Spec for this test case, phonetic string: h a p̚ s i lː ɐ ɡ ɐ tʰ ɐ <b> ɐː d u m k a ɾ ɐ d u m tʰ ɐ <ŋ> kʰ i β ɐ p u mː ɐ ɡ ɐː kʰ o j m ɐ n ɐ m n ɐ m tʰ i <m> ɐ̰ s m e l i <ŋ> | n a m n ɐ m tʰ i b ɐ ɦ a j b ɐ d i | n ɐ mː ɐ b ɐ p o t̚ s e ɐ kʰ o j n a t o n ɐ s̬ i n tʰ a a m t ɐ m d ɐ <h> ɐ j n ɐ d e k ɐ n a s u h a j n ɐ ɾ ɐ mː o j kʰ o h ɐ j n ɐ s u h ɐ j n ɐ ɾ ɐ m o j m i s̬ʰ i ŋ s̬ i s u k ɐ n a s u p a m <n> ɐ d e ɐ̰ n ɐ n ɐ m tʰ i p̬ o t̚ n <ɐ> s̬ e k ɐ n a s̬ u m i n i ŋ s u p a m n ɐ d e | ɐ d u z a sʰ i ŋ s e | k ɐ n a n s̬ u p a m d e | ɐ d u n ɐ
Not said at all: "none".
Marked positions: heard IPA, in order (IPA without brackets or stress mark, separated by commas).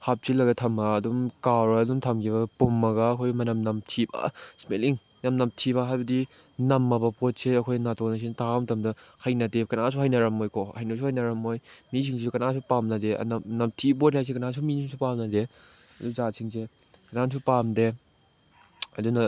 m, m, b, ŋ, h, n, a